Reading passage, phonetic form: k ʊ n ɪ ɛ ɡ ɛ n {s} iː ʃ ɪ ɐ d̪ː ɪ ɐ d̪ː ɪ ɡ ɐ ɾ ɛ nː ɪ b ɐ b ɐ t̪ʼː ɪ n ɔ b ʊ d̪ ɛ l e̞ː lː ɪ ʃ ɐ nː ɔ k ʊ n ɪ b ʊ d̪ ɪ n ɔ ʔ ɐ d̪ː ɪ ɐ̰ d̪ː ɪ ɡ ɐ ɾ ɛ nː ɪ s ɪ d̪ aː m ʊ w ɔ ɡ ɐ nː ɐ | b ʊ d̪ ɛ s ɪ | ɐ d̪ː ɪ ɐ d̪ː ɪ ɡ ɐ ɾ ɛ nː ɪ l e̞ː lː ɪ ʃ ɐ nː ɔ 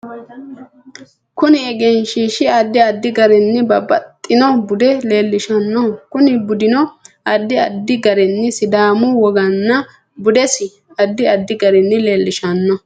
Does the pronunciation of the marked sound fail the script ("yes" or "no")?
yes